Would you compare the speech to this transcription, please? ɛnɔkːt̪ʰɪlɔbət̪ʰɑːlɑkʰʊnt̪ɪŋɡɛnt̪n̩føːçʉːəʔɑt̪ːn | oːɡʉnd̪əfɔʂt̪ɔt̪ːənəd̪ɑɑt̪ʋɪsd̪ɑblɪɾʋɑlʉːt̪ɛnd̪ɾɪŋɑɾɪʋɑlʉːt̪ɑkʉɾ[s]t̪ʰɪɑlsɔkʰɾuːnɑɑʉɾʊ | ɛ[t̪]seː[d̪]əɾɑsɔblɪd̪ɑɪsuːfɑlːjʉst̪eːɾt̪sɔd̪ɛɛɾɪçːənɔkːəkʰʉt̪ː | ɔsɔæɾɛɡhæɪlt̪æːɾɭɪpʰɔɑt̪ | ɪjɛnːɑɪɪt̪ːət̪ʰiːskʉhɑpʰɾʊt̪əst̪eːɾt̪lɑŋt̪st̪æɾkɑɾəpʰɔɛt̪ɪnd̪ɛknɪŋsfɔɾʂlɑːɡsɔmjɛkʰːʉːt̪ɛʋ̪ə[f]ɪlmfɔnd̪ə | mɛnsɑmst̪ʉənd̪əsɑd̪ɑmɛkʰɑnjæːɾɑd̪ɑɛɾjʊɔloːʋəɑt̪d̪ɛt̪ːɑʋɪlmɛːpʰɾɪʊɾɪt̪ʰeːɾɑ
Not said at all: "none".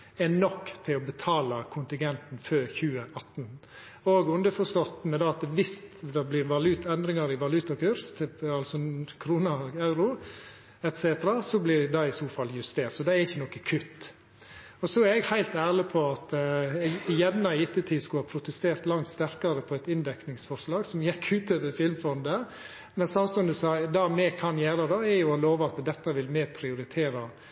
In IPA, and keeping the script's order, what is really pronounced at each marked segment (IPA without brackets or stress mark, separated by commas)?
s, t̪, t̪, f